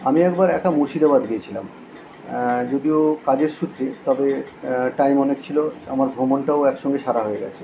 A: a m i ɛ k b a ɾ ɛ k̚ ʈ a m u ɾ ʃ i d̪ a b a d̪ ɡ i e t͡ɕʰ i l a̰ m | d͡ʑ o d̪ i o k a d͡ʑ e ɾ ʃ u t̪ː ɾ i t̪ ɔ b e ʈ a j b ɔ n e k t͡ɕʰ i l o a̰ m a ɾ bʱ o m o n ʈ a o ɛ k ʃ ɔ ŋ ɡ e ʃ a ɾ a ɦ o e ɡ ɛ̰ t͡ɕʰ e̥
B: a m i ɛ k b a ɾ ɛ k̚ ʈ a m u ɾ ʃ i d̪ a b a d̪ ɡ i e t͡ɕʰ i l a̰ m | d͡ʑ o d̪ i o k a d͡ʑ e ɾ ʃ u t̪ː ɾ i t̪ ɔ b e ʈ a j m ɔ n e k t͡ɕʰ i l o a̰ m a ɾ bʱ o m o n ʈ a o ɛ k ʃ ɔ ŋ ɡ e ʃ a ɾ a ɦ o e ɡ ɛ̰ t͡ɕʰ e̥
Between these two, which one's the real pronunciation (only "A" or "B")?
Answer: B